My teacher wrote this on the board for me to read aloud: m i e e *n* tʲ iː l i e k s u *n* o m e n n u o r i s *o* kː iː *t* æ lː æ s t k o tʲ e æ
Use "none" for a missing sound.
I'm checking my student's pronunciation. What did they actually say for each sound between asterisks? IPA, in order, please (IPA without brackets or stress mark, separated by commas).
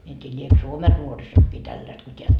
n, none, o, t